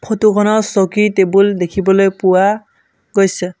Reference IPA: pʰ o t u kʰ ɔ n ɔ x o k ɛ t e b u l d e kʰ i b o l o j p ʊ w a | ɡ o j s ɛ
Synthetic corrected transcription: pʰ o t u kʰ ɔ n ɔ s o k i t e b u l d e kʰ i b ɔ l o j p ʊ w a | ɡ o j s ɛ